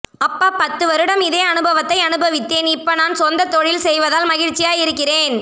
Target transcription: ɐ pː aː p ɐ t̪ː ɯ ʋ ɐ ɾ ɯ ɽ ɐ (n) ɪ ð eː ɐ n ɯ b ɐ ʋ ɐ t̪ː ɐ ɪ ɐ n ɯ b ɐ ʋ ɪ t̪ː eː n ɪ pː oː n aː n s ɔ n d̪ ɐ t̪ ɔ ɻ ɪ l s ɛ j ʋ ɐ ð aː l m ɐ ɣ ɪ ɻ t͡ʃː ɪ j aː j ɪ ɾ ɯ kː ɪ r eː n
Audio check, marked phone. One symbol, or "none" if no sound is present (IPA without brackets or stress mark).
m